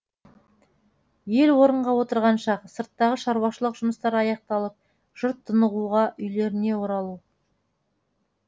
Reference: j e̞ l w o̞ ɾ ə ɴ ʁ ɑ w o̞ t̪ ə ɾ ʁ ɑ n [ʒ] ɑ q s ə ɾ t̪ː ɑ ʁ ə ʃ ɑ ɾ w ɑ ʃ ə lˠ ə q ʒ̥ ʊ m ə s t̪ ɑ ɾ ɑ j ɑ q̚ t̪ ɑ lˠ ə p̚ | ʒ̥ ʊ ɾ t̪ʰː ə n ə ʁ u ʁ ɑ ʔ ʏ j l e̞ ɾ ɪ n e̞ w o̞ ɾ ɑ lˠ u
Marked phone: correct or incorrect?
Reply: incorrect